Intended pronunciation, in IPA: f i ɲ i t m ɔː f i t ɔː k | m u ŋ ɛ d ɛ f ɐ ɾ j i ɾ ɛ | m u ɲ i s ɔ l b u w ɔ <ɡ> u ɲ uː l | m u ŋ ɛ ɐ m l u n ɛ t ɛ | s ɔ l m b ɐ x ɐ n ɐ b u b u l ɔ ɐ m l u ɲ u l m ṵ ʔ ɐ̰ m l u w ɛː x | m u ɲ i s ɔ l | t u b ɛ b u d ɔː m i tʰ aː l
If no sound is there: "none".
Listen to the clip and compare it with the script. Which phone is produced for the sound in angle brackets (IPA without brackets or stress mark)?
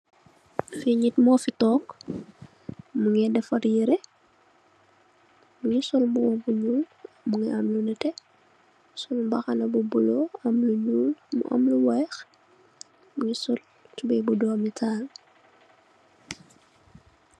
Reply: b